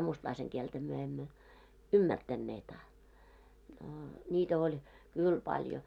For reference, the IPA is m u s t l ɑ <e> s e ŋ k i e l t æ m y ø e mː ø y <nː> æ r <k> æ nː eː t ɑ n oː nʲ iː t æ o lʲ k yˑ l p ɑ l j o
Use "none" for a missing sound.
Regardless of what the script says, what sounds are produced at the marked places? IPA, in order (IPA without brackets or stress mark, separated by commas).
i, mː, t